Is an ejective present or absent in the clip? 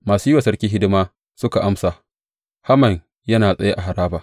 present